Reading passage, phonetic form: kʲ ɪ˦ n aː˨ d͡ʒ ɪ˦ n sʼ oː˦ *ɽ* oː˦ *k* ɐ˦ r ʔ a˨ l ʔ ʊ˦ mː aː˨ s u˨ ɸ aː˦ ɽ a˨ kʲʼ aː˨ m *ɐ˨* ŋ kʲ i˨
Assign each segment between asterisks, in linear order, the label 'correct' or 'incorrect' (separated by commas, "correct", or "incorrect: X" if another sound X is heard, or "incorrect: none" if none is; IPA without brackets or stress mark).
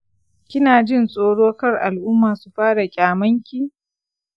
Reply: correct, correct, incorrect: ɐ˦